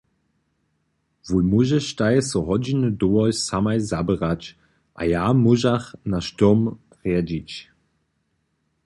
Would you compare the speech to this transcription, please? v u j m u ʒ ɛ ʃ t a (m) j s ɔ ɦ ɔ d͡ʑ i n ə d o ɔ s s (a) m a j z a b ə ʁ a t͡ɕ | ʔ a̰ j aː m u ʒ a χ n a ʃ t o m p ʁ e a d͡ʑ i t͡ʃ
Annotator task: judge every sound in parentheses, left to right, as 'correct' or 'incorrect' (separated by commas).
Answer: incorrect, correct